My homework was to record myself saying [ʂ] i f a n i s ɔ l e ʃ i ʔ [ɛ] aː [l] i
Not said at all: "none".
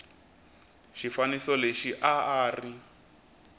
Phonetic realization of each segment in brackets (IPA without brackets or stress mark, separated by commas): ʃ, a, r